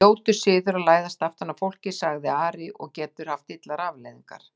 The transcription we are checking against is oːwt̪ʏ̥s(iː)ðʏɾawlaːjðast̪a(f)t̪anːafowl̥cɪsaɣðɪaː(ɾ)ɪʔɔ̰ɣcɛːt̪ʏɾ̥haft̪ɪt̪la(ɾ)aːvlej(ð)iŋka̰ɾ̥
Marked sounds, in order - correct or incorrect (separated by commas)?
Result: incorrect, correct, correct, correct, correct